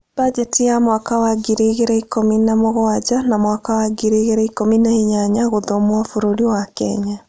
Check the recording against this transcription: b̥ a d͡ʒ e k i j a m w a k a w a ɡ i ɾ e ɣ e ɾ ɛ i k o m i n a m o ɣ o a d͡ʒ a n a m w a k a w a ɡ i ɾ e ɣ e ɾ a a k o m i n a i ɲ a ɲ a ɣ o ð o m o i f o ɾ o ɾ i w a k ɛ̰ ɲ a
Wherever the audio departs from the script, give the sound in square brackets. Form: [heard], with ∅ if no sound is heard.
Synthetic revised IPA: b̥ a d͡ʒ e [t] i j a m w a k a w a ɡ i ɾ e ɣ e ɾ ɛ i k o m i n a m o ɣ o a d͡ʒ a n a m w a k a w a ɡ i ɾ e ɣ e ɾ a [i] k o m i n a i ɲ a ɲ a ɣ o ð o m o [a] f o ɾ o ɾ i w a k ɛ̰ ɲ a